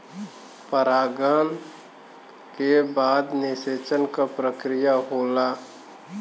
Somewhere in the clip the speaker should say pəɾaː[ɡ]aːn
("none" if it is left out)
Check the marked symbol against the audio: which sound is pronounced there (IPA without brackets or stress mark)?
ɡ